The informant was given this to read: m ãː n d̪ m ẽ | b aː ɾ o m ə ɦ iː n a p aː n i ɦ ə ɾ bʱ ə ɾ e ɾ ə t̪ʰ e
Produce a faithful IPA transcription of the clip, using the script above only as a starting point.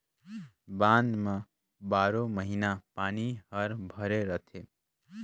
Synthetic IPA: b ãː n d̪ m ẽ | b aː ɾ o m ə ɦ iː n a p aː n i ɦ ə ɾ bʱ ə ɾ e ɾ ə t̪ʰ e